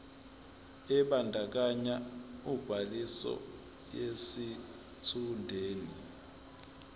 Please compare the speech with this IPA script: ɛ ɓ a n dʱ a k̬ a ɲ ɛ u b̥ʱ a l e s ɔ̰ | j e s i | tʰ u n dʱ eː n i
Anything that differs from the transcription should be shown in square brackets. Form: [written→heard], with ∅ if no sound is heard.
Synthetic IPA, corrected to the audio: ɛ ɓ a n dʱ a k̬ a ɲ [ɛ→a] u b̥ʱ a l [e→i] s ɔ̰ | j e s i | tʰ u n dʱ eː n i